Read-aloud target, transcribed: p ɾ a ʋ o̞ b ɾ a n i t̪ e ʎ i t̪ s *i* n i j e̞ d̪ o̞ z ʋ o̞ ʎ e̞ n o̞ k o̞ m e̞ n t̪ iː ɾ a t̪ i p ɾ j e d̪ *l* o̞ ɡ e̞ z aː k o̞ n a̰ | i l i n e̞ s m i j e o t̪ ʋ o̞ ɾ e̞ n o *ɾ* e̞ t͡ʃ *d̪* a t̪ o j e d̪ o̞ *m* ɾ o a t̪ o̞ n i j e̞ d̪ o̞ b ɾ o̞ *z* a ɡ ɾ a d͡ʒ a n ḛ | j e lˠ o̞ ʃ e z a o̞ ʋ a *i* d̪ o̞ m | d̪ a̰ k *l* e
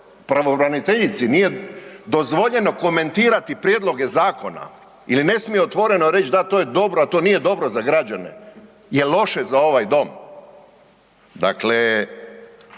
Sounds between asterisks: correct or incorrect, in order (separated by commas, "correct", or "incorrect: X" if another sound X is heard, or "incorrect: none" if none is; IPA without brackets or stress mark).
correct, correct, correct, correct, incorrect: b, correct, incorrect: j, correct